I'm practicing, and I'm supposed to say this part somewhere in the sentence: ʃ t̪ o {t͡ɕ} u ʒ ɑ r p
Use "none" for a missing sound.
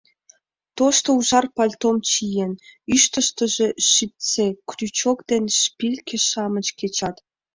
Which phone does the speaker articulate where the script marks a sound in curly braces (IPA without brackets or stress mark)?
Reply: none